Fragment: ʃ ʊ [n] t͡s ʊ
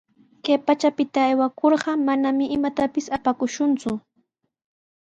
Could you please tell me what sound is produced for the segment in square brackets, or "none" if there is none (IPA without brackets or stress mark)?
n